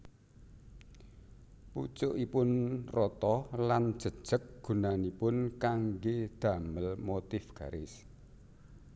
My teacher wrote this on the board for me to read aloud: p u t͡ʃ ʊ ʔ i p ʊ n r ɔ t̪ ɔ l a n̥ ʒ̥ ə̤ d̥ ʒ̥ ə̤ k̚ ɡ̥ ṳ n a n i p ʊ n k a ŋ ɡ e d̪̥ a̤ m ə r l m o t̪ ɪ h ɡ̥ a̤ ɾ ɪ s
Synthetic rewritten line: p u t͡ʃ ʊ ʔ i p ʊ n r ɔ t̪ ɔ l a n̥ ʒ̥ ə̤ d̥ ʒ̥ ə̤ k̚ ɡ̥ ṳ n a n i p ʊ n k a ŋ ɡ e d̪̥ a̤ m ə l m o t̪ ɪ f ɡ̥ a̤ ɾ ɪ s